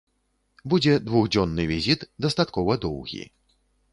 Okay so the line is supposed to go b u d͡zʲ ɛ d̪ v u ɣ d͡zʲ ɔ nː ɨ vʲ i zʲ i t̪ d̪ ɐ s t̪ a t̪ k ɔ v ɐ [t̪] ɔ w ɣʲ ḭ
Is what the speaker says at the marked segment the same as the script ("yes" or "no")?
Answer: no